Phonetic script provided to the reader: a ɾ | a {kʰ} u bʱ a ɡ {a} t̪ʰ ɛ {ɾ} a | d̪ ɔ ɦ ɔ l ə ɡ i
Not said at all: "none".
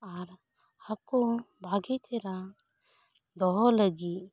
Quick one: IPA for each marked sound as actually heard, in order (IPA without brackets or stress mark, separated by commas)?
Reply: k, i, ɾ